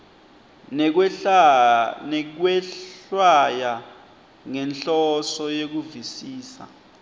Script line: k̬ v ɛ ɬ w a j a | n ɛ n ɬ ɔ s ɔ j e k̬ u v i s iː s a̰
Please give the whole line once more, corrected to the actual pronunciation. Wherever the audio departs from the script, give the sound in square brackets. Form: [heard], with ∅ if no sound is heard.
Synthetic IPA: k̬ [w] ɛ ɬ w a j a | [ŋ] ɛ n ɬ ɔ s ɔ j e k̬ u v i s iː s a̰

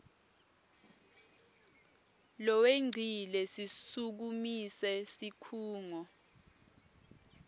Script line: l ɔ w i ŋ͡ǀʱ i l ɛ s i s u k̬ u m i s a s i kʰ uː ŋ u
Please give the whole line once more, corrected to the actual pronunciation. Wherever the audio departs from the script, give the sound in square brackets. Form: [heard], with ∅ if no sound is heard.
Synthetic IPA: l ɔ w [e] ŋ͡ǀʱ i l ɛ s i s u k̬ u m i s [ɛ] s i kʰ uː ŋ [ɔ]

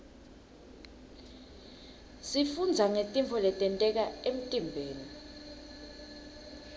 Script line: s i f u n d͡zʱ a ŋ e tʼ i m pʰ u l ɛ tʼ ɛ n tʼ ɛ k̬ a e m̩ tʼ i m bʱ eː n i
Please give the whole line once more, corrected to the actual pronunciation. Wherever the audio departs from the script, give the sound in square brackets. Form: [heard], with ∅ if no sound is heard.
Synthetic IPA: s i f u n d͡zʱ a ŋ e tʼ i m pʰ [ɔ] l ɛ tʼ ɛ n tʼ ɛ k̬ a e m̩ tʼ i m bʱ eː n i

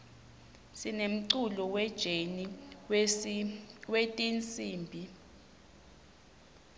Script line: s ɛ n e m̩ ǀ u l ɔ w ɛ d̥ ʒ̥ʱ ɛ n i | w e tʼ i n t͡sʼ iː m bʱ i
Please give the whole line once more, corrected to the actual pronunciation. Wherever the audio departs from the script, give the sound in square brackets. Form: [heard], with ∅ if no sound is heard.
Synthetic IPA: s [i] n e m̩ ǀ u l ɔ w ɛ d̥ ʒ̥ʱ [e] n i | w e tʼ i n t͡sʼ iː m bʱ i

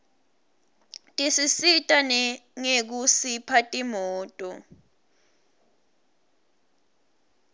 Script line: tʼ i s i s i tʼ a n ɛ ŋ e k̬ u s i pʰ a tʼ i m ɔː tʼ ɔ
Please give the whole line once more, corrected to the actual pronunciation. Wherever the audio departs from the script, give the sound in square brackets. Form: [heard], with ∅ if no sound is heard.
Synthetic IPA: tʼ i s i s i tʼ a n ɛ ŋ e k̬ u s i pʰ a tʼ i m ɔː tʼ ɔ

